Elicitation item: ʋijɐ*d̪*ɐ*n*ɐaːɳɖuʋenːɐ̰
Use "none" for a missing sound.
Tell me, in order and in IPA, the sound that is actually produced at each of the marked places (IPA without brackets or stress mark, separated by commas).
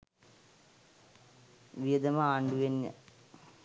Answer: d̪, m